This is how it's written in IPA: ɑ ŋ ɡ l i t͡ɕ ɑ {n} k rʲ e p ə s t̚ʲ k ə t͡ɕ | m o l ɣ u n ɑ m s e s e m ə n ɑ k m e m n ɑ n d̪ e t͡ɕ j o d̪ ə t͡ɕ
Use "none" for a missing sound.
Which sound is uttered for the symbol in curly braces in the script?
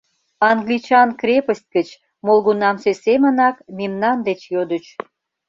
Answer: n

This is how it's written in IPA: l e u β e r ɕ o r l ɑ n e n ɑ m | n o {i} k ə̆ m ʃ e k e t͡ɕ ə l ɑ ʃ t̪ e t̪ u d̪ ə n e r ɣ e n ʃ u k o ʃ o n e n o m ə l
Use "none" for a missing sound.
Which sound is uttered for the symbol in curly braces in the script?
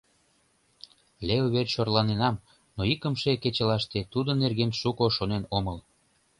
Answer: i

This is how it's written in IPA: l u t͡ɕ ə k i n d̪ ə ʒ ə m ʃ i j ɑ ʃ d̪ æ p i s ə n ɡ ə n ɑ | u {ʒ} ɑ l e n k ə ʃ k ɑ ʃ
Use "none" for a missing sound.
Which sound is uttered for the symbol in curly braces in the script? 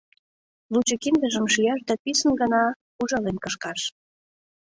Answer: ʒ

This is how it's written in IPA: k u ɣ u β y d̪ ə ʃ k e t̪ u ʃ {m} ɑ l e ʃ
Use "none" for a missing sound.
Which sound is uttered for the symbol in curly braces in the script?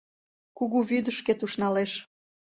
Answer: n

